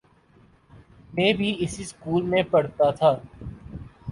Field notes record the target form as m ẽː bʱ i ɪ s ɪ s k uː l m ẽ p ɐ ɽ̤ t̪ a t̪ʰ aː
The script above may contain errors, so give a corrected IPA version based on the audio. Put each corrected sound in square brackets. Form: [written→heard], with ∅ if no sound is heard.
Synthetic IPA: m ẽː bʱ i ɪ s [ɪ→i] s k uː l m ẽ p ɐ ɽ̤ t̪ a t̪ʰ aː